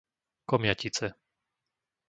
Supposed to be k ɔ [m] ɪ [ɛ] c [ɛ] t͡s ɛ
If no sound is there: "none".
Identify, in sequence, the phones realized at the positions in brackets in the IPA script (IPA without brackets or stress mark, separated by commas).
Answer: m, a, i